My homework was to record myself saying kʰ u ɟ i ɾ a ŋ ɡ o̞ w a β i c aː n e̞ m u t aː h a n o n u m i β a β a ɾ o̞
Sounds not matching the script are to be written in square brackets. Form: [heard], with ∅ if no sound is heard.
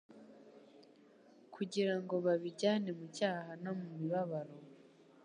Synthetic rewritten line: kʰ u ɟ i ɾ a ŋ ɡ o̞ [β] a β i [ɟ] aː n e̞ m u [c] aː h a n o [m] u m i β a β a ɾ o̞